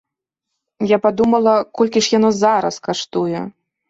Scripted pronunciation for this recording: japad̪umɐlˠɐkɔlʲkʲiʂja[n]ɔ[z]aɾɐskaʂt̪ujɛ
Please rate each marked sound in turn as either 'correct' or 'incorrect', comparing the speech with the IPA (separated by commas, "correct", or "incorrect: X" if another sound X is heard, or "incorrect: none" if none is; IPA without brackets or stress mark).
correct, correct